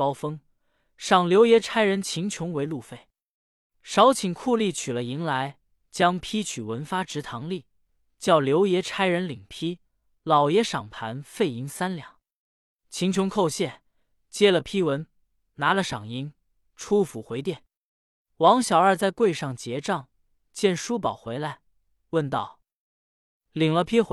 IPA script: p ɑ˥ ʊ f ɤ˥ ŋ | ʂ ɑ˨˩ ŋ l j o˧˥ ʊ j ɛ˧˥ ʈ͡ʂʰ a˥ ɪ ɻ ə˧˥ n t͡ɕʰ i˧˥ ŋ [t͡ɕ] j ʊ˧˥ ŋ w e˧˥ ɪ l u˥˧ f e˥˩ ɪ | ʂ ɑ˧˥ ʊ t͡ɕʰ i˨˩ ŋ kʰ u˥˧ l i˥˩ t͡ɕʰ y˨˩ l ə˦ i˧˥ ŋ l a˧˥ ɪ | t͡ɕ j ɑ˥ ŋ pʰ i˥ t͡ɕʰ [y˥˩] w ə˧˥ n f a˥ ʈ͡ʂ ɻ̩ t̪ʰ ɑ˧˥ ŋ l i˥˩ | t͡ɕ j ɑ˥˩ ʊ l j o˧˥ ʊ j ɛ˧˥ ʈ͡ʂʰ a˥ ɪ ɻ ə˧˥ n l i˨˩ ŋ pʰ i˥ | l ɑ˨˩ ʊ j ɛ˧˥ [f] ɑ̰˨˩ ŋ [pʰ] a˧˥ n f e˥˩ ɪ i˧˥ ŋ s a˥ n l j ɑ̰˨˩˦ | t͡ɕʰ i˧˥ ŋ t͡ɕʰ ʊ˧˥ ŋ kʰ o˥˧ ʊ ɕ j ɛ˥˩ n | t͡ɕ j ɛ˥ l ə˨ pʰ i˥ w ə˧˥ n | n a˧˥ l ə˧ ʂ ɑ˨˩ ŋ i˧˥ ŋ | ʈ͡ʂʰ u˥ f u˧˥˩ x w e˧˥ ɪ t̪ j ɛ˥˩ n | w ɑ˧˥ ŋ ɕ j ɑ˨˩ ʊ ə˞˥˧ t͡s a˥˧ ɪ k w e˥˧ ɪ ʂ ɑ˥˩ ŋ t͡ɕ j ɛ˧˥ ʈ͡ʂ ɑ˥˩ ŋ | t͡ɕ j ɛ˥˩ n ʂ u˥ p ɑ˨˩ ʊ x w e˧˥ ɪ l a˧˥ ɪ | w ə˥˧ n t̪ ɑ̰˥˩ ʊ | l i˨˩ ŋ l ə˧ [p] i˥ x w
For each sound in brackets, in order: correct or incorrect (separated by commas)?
incorrect, incorrect, incorrect, correct, incorrect